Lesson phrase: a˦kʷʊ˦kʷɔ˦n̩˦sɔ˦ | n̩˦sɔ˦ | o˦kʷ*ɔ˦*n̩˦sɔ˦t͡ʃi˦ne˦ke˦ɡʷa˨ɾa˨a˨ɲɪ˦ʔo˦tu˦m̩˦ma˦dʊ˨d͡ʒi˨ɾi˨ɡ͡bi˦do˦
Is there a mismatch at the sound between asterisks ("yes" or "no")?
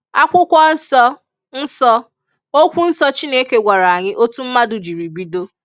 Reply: yes